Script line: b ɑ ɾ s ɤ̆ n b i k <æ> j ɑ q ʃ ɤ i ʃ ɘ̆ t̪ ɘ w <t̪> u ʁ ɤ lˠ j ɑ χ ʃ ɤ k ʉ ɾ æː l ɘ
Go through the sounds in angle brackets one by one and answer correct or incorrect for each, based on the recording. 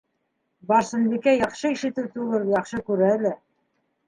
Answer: correct, correct

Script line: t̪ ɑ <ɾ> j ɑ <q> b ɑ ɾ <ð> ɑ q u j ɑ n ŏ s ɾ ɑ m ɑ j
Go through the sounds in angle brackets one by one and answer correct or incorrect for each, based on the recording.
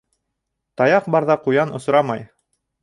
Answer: incorrect, correct, correct

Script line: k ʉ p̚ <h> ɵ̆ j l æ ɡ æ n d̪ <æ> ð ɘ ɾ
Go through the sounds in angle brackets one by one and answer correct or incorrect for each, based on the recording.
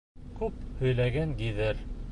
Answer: correct, incorrect

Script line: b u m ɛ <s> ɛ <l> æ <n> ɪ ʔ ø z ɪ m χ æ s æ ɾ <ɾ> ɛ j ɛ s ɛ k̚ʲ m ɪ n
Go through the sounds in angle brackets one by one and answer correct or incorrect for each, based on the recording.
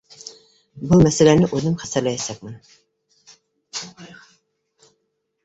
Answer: correct, correct, correct, incorrect

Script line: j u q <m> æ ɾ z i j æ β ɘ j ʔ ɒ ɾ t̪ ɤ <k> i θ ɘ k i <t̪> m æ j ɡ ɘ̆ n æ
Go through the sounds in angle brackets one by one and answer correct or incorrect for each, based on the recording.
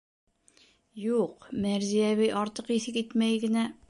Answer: correct, incorrect, correct

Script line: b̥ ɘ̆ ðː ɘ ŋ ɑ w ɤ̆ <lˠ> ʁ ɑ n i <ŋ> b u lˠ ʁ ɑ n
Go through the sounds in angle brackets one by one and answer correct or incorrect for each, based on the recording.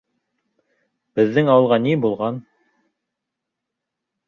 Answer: correct, incorrect

